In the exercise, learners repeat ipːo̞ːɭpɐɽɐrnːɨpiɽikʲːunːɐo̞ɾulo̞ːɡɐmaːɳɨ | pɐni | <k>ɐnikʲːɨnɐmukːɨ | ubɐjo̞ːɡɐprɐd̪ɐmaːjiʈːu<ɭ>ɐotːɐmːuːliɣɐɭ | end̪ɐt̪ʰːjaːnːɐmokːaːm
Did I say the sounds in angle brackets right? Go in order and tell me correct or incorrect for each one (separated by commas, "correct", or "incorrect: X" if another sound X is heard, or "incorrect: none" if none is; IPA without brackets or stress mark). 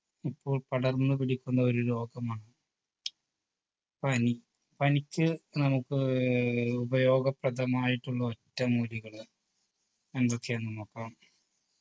incorrect: p, incorrect: ɭː